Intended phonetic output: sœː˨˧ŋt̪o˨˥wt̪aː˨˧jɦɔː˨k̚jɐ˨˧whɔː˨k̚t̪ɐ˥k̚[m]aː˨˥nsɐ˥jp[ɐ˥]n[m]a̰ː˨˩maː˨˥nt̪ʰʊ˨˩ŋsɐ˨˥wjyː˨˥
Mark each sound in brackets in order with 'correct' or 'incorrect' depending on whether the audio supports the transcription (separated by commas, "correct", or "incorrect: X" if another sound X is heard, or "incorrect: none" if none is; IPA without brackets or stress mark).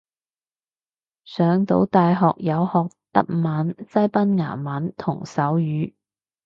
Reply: correct, correct, incorrect: ŋ